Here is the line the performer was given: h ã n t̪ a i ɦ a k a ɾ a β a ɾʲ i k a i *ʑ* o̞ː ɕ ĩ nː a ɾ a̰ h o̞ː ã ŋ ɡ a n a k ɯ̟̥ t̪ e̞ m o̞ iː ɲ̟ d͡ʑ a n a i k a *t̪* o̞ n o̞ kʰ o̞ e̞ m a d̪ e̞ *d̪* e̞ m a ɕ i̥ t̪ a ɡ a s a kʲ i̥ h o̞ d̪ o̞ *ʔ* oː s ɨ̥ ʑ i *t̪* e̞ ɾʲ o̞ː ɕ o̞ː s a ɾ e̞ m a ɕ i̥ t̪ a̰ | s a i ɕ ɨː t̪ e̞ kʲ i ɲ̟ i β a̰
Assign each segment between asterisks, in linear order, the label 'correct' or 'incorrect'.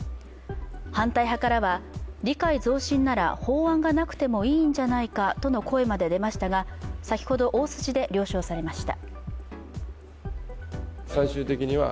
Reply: incorrect, correct, correct, correct, incorrect

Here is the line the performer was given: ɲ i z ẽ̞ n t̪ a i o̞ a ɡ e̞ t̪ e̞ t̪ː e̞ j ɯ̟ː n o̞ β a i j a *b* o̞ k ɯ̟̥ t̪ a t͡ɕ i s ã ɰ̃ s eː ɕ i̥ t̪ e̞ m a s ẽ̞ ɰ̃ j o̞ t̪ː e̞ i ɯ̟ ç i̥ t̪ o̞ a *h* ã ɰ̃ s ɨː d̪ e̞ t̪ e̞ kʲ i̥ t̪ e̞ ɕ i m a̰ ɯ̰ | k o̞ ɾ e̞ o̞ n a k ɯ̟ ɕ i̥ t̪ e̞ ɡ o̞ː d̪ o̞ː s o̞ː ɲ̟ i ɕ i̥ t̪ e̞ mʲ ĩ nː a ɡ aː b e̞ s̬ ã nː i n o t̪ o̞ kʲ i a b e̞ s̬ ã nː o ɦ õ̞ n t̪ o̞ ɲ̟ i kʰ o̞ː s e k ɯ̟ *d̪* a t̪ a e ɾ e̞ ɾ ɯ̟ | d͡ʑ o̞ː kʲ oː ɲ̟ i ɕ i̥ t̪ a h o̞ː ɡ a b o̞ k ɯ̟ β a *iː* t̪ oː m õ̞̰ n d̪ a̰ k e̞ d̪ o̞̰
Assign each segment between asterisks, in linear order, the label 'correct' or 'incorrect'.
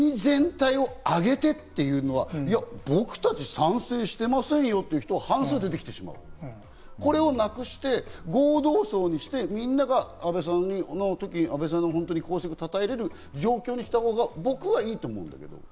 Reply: correct, correct, incorrect, correct

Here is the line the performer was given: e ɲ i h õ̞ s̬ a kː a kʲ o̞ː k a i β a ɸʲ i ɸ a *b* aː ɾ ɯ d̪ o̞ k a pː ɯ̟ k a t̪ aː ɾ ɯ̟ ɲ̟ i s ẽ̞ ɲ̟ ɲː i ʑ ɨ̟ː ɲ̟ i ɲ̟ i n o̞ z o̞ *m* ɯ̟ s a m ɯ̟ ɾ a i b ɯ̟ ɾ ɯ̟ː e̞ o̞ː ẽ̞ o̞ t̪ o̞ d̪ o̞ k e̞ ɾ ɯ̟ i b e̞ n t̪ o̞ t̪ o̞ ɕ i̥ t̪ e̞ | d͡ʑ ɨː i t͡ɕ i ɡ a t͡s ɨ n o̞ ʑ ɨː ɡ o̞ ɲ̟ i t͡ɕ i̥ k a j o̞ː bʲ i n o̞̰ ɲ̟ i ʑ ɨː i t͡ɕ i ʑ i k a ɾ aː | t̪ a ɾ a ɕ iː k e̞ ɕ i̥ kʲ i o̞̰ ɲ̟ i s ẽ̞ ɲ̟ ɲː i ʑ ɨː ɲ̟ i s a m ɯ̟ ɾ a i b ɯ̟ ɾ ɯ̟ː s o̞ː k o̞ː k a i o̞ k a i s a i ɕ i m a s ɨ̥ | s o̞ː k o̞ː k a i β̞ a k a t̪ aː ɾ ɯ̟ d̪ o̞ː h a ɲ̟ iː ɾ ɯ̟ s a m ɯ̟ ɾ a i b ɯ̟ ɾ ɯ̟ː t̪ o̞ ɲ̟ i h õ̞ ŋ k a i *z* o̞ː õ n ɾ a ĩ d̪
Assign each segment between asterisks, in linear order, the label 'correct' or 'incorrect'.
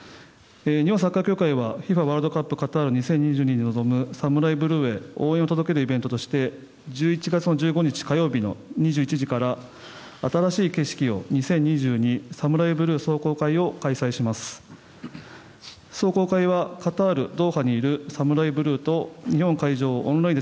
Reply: incorrect, correct, incorrect

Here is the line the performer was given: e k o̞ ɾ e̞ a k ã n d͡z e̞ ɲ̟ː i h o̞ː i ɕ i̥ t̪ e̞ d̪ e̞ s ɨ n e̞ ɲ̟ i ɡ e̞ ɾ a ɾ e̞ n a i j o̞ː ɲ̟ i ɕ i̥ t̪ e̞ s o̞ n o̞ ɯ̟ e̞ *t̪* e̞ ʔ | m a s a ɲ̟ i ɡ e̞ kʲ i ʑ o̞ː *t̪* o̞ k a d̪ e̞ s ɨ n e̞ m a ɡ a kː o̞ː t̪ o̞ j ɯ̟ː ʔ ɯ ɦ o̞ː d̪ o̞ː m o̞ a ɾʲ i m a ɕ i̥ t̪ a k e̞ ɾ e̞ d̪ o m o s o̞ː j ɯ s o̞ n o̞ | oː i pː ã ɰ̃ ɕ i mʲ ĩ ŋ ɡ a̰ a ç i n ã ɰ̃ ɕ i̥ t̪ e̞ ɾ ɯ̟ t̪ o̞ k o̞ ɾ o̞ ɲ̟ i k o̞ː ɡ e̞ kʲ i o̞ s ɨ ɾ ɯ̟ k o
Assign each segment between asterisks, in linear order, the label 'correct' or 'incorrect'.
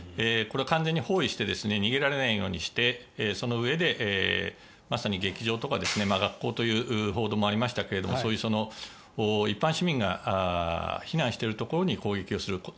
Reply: incorrect, correct

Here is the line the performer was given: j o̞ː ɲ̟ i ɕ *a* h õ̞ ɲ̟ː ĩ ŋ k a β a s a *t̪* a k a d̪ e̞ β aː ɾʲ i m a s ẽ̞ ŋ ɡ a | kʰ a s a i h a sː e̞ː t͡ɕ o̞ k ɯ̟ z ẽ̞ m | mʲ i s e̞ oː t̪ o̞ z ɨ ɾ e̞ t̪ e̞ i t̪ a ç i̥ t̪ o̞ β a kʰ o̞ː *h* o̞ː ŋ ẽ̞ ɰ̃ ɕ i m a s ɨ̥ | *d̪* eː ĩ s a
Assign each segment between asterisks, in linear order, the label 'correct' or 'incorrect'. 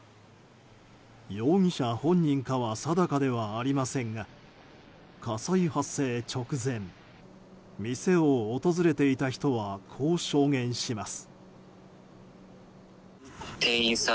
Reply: correct, incorrect, incorrect, incorrect

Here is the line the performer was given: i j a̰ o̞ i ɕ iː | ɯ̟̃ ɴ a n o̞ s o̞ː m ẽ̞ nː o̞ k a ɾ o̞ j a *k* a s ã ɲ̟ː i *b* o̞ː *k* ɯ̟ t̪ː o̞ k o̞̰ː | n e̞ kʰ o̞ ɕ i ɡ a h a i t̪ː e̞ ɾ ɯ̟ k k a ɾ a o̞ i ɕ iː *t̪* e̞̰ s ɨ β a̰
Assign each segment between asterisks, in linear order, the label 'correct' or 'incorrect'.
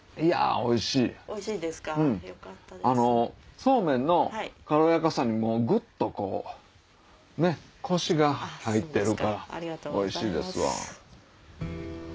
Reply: correct, incorrect, incorrect, incorrect

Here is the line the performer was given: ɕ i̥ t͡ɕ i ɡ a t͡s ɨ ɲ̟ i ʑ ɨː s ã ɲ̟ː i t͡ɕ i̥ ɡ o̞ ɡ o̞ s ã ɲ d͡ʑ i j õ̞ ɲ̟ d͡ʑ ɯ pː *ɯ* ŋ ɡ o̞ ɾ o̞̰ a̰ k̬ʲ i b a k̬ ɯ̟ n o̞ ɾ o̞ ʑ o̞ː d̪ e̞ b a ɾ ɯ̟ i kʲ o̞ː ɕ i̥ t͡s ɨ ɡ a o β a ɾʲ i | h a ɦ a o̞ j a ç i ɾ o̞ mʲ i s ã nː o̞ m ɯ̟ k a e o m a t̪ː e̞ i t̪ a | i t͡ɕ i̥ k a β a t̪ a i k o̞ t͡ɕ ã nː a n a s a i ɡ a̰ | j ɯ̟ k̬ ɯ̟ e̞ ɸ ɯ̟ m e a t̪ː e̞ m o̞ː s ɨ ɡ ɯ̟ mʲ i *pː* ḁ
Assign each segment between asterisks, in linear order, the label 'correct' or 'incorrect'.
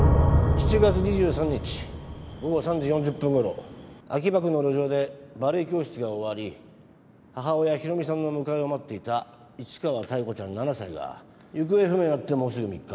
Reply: incorrect, incorrect

